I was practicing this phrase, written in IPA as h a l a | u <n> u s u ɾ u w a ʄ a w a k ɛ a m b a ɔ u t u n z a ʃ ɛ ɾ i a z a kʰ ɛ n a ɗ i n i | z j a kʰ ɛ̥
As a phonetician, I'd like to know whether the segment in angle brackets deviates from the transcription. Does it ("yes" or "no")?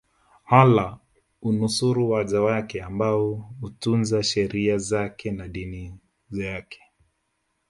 no